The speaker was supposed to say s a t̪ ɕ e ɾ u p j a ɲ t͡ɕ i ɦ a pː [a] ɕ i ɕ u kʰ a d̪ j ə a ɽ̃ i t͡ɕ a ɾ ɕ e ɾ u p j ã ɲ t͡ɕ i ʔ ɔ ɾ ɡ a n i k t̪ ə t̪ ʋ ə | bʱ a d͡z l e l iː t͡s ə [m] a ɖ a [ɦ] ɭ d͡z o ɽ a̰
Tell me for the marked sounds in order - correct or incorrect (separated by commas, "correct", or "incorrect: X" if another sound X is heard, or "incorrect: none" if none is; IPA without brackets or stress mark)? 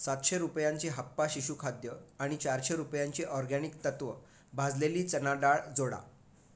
correct, incorrect: n, incorrect: none